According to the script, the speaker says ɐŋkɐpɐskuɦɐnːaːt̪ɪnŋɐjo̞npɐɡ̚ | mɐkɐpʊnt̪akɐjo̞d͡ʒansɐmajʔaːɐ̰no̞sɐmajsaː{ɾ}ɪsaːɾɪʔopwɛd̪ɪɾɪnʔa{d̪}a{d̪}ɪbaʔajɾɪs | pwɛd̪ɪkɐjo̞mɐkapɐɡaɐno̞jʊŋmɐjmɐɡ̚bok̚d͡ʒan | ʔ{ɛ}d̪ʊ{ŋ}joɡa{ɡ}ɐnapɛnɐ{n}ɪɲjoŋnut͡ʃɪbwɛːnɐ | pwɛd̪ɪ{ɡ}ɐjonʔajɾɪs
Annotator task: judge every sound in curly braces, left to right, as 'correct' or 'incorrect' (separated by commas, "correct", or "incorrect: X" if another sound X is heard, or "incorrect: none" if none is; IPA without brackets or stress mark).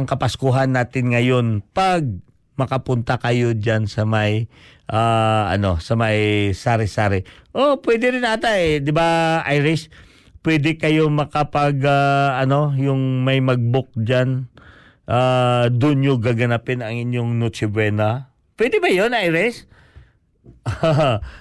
correct, incorrect: t̪, correct, incorrect: a, incorrect: n, correct, incorrect: ŋ, incorrect: b